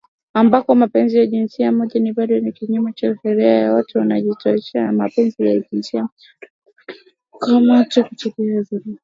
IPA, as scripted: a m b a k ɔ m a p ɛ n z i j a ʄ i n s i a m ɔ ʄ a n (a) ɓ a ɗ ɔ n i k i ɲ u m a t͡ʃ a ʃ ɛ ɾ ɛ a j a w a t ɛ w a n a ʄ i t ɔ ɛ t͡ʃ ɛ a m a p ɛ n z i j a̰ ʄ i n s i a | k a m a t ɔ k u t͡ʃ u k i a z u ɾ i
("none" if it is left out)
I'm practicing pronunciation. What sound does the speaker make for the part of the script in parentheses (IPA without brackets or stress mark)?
i